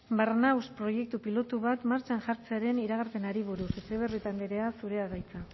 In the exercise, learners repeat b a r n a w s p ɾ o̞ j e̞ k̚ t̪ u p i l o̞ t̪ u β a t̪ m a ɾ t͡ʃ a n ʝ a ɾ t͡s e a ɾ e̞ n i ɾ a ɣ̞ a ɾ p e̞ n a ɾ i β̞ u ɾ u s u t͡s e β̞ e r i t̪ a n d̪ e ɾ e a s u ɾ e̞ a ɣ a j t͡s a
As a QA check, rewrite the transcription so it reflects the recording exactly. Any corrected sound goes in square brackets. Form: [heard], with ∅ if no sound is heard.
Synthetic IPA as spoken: b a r n a w s p ɾ o̞ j e̞ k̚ t̪ u p i l o̞ t̪ u β a t̪ m a ɾ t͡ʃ a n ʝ a ɾ t͡s e a ɾ e̞ n i ɾ a ɣ̞ a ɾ p e̞ n a ɾ i β̞ u ɾ u s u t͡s e β̞ e r i t̪ a n d̪ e ɾ e a s u ɾ e̞ a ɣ a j t͡s a